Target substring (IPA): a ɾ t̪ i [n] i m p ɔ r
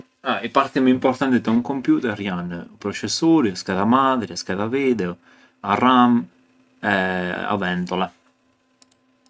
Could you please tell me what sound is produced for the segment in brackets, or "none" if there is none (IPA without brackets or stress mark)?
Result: m